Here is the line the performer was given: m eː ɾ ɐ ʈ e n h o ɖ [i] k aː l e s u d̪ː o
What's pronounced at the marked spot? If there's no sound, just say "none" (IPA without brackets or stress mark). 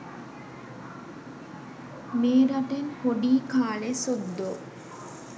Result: iː